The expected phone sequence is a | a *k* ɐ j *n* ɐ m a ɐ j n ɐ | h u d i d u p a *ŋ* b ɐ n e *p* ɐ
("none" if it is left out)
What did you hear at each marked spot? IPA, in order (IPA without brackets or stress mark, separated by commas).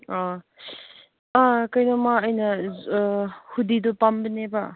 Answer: k, n, m, b